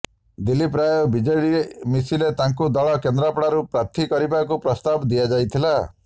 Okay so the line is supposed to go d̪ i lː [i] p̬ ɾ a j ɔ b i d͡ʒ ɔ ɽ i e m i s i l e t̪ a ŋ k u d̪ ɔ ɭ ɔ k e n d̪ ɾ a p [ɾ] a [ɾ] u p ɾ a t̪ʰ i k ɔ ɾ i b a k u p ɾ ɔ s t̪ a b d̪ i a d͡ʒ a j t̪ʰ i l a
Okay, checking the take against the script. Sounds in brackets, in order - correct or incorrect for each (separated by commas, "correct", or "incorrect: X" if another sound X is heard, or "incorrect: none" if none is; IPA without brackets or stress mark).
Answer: correct, incorrect: ɽ, correct